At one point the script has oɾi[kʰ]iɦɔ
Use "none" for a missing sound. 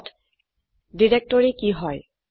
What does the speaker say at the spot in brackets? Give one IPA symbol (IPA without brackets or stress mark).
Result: k